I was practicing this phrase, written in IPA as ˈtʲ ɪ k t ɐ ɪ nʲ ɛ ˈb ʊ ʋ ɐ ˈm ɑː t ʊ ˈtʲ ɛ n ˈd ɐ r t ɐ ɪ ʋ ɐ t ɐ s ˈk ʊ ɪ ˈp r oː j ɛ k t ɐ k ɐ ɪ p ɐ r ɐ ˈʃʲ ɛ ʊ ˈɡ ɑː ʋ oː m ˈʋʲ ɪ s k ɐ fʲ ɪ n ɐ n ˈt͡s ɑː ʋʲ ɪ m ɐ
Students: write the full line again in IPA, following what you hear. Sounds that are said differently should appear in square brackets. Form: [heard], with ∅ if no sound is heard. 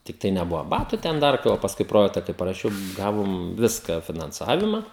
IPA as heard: ˈtʲ ɪ k t ɐ ɪ nʲ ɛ ˈb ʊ ʋ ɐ [ˈb] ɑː t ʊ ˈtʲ ɛ n ˈd ɐ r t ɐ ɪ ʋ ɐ [p] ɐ s ˈk ʊ ɪ ˈp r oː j ɛ k t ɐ k ɐ ɪ p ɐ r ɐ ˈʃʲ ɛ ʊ ˈɡ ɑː ʋ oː m ˈʋʲ ɪ s k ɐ fʲ ɪ n ɐ n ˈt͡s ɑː ʋʲ ɪ m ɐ